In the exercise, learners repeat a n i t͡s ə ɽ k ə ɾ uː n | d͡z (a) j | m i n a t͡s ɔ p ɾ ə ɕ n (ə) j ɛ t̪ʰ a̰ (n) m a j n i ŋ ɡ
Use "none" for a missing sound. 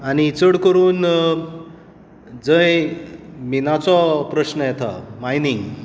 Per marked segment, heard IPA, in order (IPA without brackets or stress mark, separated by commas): ə, ə, none